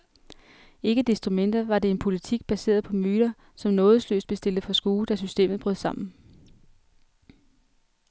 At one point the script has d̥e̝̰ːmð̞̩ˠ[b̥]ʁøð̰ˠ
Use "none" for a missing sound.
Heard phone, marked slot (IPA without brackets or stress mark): b̥